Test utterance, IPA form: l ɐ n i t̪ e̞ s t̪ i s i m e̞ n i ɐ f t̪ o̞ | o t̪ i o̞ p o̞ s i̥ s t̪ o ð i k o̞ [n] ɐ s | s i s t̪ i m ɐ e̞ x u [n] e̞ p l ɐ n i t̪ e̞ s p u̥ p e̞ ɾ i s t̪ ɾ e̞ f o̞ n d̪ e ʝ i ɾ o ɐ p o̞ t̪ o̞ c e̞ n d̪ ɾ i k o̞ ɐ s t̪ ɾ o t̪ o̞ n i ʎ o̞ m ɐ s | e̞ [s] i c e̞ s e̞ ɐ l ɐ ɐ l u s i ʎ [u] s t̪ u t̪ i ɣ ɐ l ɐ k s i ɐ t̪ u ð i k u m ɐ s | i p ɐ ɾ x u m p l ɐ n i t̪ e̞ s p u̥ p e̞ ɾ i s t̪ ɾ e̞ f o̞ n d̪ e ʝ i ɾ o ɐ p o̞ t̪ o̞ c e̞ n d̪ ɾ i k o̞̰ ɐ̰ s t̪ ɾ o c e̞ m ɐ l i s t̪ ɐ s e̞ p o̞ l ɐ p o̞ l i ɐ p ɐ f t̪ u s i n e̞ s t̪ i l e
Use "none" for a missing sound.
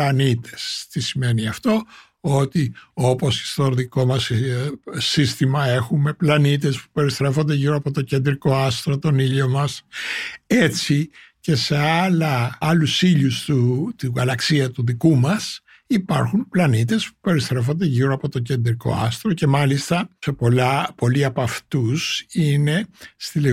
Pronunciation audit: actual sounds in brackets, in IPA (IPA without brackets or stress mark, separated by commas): m, m, t͡s, u